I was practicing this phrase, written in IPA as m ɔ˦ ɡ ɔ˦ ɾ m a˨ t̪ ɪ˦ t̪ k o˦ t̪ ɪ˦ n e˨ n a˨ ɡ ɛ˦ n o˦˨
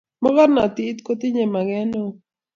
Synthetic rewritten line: m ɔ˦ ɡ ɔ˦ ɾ n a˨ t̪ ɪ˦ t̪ k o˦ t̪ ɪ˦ ɲ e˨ m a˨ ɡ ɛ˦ n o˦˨